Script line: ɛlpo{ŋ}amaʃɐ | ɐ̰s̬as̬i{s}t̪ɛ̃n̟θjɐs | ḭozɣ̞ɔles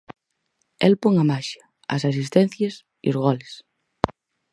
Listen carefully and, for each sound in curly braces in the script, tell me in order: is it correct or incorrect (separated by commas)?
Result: correct, correct